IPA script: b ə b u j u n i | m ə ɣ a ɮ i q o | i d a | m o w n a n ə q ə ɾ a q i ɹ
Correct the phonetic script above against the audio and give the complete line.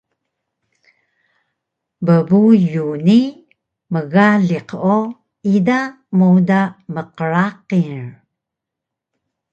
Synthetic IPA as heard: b ə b u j u n i | m ə ɣ a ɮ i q o | i d a | m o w d a m ə q ə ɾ a q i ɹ